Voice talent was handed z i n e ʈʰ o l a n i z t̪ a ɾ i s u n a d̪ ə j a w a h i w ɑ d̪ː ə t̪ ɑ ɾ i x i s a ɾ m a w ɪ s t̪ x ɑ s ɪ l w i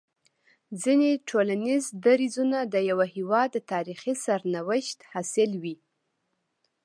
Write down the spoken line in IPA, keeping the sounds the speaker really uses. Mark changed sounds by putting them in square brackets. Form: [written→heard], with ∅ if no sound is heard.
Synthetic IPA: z i n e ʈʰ o l a n i z [t̪→d̪] a ɾ i [s→z] u n a d̪ ə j a w a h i w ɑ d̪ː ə t̪ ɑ ɾ i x i s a ɾ [m→n] a w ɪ [s→ʃ] t̪ [x→h] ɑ s ɪ l w i